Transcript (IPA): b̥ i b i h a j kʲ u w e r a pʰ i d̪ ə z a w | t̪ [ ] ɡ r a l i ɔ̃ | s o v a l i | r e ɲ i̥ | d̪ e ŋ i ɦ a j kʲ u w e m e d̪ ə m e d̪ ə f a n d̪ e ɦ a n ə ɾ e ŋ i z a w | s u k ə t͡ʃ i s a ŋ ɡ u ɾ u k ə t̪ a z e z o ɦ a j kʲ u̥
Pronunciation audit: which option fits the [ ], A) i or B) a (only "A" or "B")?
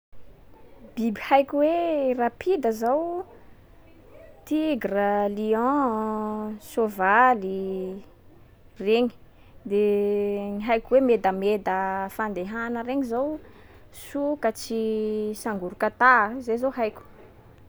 A